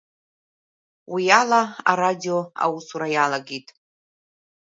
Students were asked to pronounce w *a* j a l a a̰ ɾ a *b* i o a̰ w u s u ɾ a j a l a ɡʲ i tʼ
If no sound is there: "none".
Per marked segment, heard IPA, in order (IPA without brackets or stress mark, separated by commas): i, d